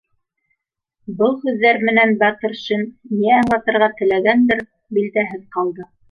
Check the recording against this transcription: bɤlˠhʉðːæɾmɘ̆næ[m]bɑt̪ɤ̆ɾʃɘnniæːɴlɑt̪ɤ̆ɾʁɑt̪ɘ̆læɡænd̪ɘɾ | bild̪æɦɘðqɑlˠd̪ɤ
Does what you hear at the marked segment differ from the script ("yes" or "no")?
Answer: yes